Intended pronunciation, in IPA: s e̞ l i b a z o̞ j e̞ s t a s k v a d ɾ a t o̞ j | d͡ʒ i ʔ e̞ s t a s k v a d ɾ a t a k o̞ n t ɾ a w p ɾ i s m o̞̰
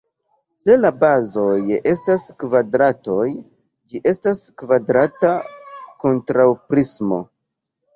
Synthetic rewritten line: s e̞ l a b a z o̞ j e̞ s t a s k v a d ɾ a t o̞ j | d͡ʒ i ʔ e̞ s t a s k v a d ɾ a t a k o̞ n t ɾ a w p ɾ i s m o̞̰